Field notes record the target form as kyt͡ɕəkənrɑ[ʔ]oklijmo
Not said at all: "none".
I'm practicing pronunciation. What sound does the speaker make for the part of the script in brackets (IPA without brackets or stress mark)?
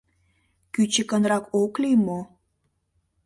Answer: k